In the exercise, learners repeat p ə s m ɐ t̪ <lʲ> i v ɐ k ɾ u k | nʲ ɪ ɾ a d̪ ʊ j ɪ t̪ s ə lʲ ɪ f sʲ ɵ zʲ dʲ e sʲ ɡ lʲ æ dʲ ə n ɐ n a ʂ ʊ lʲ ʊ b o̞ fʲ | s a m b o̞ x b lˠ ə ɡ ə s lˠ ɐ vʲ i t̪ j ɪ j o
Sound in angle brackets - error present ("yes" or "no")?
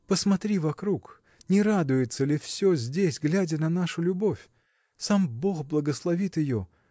yes